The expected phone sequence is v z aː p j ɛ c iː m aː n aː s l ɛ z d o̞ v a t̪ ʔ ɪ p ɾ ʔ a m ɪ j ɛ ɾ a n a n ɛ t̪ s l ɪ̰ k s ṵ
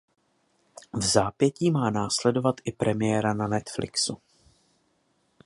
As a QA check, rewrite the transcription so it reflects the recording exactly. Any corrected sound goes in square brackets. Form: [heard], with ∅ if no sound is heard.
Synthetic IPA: v z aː p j ɛ c iː m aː n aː s l ɛ [∅] d o̞ v a t̪ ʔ ɪ p ɾ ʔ [ɛ] m ɪ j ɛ ɾ a n a n ɛ t̪ [f] l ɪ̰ k s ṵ

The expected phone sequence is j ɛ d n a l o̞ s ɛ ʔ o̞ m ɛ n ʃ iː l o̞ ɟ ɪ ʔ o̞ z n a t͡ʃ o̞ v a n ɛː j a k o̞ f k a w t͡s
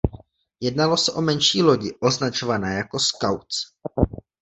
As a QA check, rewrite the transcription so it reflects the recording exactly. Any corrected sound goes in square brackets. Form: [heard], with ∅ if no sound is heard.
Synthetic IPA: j ɛ d n a l o̞ s ɛ ʔ o̞ m ɛ n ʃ iː l o̞ ɟ ɪ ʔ o̞ z n a t͡ʃ o̞ v a n ɛː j a k o̞ [s] k a w t͡s

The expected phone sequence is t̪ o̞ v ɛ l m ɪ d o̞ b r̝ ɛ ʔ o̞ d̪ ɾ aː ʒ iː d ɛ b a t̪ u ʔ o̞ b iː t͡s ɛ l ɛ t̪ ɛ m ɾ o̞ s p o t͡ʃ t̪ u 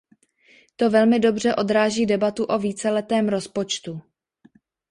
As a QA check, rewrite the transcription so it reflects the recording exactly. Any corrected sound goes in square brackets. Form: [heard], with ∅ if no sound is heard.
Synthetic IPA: t̪ o̞ v ɛ l m ɪ d o̞ b r̝ ɛ ʔ o̞ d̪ ɾ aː ʒ iː d ɛ b a t̪ u ʔ o̞ [v] iː t͡s ɛ l ɛ t̪ [ɛː] m ɾ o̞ s p o t͡ʃ t̪ u

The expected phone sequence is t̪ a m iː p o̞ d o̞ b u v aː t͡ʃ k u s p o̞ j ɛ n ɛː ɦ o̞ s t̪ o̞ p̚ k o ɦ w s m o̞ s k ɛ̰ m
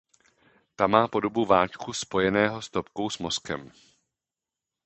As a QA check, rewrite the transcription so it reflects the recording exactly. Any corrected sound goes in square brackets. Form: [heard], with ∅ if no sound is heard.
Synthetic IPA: t̪ a m [aː] p o̞ d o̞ b u v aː t͡ʃ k u s p o̞ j ɛ n ɛː ɦ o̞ s t̪ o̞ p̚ k o [∅] w s m o̞ s k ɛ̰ m

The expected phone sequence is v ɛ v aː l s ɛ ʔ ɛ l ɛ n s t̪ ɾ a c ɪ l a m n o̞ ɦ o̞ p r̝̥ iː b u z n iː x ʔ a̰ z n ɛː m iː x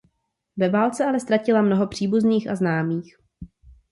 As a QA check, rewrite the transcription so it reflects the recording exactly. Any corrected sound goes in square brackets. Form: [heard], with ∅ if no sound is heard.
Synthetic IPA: v ɛ v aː l [t͡s] ɛ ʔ [a] l ɛ [∅] s t̪ ɾ a c ɪ l a m n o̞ ɦ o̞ p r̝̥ iː b u z n iː x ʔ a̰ z n [aː] m iː x

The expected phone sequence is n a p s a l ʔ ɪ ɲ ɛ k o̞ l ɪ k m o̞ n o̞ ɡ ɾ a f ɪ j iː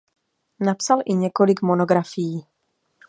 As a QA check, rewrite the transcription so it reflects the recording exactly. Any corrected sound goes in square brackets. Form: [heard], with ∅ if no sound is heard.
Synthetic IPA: n a p s a l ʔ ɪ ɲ ɛ k o̞ l ɪ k m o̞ n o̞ ɡ ɾ a f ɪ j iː

